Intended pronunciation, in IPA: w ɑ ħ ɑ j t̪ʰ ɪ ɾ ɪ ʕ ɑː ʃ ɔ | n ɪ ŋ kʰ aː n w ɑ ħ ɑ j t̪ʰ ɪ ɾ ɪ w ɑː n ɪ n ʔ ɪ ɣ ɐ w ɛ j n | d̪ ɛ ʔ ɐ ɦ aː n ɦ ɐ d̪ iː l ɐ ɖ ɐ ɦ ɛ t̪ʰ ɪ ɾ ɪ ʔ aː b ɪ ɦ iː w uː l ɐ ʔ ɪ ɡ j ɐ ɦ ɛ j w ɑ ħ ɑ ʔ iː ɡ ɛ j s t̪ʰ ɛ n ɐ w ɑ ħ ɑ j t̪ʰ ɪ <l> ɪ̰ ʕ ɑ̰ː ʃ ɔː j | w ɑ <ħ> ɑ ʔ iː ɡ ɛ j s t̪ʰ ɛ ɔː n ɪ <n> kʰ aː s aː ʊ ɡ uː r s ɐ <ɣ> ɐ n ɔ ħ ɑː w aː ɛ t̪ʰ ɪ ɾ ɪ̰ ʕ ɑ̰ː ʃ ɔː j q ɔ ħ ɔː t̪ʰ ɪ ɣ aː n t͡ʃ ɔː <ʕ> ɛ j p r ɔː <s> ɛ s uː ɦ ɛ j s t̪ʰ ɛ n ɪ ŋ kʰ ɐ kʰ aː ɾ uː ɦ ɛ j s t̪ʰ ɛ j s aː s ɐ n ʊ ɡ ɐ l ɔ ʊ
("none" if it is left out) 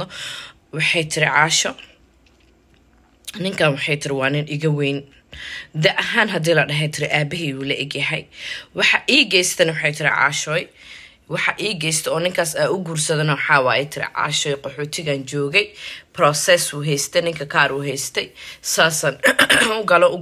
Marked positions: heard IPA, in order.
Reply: ɾ, ħ, ŋ, ð, ɣ, s

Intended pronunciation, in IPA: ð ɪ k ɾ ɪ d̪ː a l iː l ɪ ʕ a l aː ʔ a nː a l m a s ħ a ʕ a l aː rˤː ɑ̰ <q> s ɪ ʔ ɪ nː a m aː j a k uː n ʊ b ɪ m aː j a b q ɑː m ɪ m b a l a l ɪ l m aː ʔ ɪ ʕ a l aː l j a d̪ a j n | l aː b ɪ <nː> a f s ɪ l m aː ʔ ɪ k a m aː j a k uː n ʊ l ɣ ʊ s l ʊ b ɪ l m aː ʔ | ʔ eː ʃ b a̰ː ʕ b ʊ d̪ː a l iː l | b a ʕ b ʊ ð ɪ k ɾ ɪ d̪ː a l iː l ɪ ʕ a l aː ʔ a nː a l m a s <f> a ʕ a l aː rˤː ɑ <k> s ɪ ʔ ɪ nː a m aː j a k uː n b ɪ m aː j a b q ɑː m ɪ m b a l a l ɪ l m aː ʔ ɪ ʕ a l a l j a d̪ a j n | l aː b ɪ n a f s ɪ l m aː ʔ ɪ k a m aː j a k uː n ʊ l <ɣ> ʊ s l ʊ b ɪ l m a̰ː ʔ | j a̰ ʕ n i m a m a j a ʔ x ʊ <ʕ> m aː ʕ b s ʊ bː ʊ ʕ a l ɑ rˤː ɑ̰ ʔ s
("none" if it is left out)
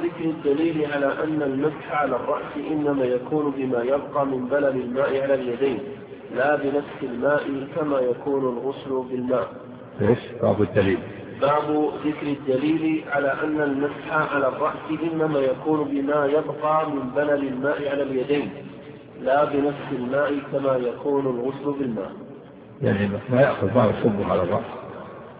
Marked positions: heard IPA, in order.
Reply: ʔ, n, ħ, ʔ, ɣ, ð

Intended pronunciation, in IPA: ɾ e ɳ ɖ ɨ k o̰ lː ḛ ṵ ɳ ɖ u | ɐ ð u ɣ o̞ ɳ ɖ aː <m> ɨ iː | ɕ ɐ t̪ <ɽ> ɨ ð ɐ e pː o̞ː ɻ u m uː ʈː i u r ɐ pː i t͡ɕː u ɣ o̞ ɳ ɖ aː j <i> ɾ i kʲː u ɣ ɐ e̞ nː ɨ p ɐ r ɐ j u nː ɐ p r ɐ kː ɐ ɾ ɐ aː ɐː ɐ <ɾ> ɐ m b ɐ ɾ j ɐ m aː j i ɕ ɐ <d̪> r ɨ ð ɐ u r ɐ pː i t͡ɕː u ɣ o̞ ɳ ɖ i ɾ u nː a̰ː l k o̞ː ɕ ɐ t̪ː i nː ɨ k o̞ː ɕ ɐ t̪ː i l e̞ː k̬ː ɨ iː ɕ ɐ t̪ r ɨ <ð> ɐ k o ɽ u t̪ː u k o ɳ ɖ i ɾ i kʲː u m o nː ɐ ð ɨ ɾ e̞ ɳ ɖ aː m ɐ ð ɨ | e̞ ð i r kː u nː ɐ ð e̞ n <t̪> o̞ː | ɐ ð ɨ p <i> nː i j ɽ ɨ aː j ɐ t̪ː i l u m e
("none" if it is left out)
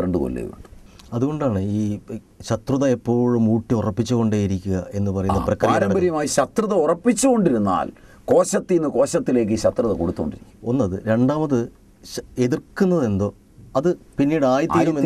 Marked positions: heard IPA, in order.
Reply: ɳ, r, i, ɾ, t̪, ð, d̪, i

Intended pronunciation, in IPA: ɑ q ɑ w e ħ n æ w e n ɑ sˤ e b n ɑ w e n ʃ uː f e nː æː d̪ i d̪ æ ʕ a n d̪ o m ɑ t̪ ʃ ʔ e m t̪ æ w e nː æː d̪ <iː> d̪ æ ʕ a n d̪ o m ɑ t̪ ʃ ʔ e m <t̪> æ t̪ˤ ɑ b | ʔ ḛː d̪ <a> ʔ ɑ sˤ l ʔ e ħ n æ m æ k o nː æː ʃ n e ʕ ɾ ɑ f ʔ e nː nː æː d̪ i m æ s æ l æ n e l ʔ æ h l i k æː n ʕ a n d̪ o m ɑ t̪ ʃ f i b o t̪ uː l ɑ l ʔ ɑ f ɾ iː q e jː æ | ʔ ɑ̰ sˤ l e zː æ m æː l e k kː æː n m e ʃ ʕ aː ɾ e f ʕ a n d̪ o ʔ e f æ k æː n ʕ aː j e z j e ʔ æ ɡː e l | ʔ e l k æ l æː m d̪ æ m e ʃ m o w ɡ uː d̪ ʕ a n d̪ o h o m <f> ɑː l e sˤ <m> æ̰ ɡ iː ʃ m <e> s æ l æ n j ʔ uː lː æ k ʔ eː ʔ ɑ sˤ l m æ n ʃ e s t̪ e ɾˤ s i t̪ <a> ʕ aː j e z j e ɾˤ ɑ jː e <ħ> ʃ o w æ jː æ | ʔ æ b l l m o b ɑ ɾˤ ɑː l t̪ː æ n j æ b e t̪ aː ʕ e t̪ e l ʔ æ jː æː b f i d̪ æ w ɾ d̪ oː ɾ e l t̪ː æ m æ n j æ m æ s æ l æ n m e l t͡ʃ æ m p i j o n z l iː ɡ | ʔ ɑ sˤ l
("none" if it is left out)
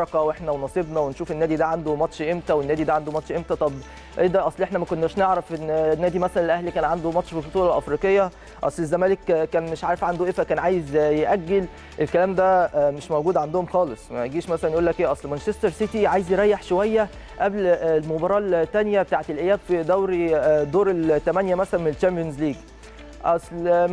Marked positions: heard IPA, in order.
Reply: i, t̪, æ, x, m, æ, i, ħ

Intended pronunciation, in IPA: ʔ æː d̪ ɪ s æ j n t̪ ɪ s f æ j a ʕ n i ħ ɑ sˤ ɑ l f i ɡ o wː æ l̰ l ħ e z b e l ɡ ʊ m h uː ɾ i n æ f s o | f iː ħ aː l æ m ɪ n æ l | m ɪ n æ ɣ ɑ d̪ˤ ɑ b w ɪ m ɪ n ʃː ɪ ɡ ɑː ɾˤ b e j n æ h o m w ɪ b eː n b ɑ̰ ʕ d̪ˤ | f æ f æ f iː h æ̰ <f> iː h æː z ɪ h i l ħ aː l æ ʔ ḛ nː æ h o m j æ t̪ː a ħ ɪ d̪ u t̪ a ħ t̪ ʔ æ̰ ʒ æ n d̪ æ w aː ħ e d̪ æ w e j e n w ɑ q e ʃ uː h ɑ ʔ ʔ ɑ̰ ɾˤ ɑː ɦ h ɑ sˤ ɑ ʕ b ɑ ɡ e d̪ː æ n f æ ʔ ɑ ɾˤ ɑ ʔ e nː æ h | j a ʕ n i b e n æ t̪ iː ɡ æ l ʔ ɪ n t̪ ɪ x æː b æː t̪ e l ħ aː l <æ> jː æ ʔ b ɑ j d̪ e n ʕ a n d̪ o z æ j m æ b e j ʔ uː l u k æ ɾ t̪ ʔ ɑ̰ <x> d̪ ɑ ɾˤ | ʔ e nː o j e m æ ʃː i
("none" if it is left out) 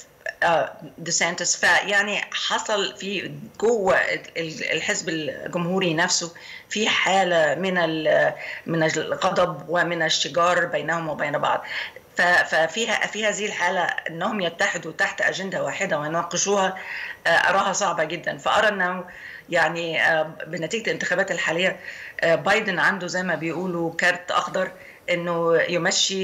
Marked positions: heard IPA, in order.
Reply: f, e, x

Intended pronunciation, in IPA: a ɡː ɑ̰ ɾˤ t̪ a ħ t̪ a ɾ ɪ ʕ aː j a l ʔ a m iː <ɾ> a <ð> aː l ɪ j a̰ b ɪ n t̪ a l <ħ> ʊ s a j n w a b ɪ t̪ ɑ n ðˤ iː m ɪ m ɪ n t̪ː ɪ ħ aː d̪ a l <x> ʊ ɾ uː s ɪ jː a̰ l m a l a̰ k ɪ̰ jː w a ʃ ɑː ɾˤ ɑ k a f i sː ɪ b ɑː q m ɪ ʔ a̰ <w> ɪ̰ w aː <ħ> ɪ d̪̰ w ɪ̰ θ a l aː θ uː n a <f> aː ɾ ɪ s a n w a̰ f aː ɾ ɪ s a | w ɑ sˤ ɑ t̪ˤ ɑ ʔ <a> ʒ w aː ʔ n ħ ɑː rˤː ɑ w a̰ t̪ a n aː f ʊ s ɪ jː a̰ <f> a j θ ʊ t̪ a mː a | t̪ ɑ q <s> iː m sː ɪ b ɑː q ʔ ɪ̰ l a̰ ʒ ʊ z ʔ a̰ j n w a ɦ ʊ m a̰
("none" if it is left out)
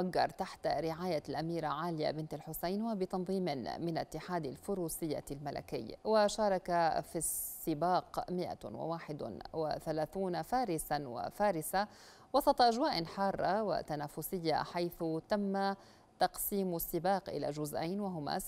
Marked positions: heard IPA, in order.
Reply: ɾ, ʕ, ħ, f, w, ħ, f, a, ħ, s

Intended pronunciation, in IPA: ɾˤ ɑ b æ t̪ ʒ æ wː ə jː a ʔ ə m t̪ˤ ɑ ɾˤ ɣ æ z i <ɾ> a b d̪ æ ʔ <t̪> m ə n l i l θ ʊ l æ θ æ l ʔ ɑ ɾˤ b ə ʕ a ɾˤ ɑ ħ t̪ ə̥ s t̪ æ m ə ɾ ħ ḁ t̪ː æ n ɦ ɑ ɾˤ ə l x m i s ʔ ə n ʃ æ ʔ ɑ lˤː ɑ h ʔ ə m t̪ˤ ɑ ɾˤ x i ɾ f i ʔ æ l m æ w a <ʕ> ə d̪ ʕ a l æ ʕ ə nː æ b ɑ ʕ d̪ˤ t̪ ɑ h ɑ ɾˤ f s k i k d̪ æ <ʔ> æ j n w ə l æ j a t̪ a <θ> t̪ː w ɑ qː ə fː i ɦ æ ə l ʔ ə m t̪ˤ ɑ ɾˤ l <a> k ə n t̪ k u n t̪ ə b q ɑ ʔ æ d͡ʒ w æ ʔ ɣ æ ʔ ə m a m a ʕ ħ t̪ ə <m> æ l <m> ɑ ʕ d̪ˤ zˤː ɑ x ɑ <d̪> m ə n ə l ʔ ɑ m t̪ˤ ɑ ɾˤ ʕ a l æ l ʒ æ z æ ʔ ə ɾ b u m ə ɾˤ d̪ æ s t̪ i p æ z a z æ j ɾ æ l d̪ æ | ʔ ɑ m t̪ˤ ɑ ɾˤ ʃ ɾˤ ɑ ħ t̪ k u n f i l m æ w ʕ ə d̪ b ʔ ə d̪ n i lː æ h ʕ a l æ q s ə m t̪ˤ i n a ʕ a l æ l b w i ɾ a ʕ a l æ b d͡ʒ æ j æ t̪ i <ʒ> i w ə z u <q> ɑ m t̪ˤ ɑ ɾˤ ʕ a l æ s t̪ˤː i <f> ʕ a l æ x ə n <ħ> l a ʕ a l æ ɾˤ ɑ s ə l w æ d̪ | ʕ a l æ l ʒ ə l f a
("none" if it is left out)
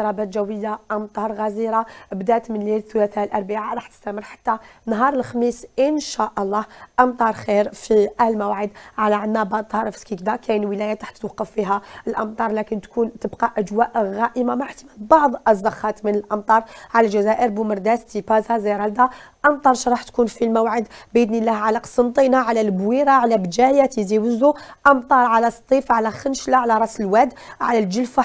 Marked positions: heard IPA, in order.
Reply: ɾ, t̪, ʕ, k, ħ, æ, m, b, t̪, z, ʔ, f, ʃ

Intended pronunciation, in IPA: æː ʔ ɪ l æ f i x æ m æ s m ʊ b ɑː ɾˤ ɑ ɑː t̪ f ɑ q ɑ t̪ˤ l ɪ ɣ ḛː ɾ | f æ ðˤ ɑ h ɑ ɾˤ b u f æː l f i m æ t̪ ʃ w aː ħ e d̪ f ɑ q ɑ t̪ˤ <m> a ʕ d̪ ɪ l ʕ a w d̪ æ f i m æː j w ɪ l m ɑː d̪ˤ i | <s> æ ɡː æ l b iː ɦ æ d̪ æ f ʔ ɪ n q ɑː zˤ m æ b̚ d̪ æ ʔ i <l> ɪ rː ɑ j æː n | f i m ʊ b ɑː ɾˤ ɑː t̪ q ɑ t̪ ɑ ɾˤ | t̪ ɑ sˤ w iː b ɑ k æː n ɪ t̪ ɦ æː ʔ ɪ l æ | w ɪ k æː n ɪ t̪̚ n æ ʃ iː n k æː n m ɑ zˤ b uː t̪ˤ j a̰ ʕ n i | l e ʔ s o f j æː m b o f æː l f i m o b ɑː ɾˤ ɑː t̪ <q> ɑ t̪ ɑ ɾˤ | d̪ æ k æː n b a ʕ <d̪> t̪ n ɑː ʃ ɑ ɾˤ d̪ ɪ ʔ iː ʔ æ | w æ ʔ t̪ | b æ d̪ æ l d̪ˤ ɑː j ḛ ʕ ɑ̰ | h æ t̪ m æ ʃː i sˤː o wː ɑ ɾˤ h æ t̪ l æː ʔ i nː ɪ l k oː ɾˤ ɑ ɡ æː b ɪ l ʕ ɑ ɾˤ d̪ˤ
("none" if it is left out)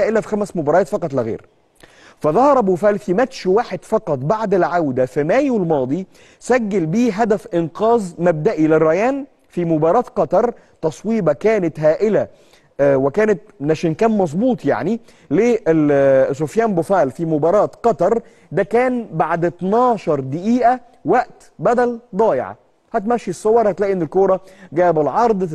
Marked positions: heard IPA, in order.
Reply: b, s, l, q, d̪

